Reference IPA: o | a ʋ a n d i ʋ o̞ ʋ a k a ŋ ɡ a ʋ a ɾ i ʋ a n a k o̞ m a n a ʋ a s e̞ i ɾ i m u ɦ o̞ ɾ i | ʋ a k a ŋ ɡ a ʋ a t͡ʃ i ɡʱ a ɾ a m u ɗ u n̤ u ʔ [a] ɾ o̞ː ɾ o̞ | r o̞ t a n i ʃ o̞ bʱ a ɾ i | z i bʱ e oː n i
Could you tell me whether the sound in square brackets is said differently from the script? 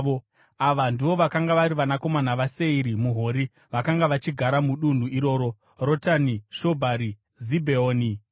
yes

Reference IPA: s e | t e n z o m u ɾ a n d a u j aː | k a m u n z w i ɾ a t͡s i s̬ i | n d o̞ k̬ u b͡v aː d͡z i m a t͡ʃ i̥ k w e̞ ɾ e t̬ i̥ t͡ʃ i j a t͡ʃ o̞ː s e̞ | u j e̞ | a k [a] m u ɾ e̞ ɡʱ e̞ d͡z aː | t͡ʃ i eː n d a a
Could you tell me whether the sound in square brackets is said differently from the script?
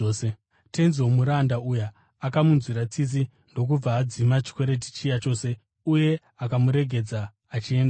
no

